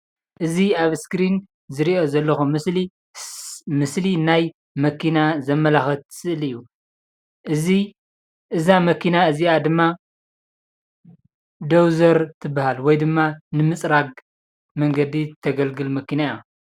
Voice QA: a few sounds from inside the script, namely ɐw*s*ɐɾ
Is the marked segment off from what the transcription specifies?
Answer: yes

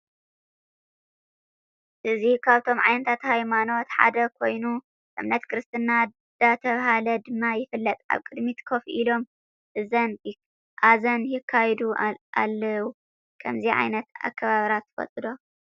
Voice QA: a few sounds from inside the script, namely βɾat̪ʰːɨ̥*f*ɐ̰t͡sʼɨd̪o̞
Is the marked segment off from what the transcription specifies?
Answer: no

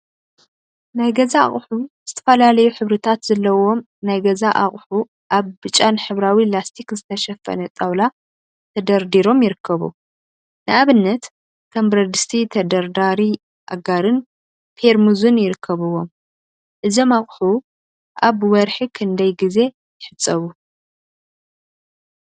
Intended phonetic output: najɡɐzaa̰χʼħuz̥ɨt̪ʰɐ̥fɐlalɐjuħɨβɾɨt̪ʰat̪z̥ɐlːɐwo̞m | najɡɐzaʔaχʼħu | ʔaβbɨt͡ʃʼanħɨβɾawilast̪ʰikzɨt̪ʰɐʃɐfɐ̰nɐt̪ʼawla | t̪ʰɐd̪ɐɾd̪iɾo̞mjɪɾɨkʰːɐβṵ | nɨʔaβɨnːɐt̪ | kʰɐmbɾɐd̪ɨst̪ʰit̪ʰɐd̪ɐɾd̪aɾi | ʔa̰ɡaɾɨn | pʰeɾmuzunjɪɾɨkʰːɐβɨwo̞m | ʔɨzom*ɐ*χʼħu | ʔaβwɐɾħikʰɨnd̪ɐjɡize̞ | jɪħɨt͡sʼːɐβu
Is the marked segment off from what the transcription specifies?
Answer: yes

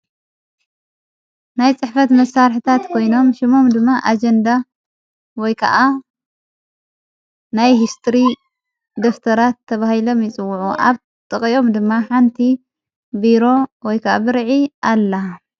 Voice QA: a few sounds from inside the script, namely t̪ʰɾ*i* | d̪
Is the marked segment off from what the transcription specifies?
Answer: no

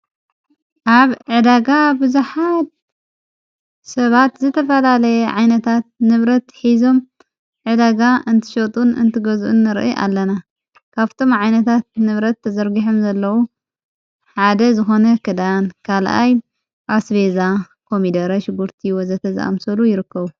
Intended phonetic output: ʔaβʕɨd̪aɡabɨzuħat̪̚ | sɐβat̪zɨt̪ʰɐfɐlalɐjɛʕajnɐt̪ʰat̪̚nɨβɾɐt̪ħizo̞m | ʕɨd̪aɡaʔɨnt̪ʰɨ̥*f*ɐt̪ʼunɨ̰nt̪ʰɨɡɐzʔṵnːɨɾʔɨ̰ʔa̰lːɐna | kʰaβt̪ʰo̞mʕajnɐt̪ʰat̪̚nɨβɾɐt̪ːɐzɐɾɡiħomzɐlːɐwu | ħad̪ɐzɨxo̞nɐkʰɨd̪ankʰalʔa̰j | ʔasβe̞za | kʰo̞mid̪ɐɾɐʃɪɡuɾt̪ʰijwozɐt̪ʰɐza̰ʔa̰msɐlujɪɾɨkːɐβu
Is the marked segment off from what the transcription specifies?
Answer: yes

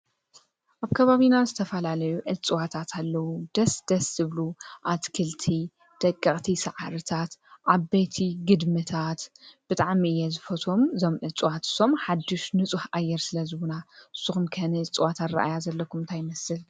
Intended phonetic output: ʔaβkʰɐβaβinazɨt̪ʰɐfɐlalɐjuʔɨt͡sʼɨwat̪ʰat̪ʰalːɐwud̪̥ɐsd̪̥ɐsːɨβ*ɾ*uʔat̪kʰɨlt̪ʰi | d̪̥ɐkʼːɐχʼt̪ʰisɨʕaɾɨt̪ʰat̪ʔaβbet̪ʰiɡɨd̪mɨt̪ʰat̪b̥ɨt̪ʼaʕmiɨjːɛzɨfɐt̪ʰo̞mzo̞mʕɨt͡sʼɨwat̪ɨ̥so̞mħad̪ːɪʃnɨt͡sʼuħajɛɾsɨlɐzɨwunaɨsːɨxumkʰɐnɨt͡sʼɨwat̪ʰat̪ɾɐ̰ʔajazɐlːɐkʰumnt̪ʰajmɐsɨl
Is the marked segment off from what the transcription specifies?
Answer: yes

